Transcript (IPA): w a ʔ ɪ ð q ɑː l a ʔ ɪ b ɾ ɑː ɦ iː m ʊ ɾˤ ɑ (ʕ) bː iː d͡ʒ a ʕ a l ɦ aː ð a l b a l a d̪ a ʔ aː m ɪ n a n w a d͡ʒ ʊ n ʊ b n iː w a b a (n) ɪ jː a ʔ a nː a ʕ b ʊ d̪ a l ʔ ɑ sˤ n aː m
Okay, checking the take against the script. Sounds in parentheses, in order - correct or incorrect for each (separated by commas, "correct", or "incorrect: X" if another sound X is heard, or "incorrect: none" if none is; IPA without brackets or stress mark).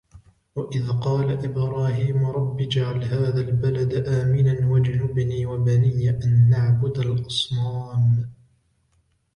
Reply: incorrect: none, correct